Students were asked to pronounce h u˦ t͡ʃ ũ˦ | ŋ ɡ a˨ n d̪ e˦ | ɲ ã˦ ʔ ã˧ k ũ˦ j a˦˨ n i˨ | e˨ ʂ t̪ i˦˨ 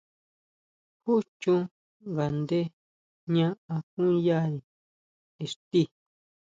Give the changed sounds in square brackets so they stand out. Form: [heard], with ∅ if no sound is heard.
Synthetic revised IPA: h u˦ t͡ʃ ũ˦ | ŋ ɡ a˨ n d̪ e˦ | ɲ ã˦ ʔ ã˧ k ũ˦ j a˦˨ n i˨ | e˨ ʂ t̪ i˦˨